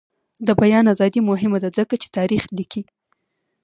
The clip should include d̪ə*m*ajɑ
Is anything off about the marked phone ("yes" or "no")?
yes